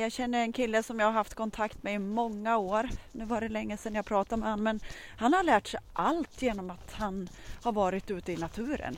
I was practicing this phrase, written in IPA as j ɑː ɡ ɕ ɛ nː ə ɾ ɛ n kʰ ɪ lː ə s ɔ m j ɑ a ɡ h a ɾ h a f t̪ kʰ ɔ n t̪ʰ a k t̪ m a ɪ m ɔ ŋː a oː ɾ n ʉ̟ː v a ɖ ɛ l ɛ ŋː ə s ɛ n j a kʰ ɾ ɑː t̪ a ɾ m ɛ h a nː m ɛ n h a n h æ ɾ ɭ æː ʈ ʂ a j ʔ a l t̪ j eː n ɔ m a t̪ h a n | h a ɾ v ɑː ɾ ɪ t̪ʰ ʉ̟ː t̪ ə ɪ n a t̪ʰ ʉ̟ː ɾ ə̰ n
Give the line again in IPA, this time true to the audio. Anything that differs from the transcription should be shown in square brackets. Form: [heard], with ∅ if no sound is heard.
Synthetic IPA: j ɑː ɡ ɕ ɛ nː ə ɾ ɛ n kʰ ɪ lː ə s ɔ m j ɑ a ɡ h a ɾ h a f t̪ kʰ ɔ n t̪ʰ a k t̪ m [ɛ] ɪ m ɔ ŋː a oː ɾ n ʉ̟ː v a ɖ ɛ l ɛ ŋː ə s ɛ n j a [pʰ] ɾ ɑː t̪ a ɾ m ɛ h a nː m ɛ n h a n h [a] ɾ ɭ æː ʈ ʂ [ɛ] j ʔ a l t̪ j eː n ɔ m a t̪ h a n | h a ɾ v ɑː ɾ ɪ [t̪] ʉ̟ː t̪ ə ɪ n a t̪ʰ ʉ̟ː ɾ ə̰ n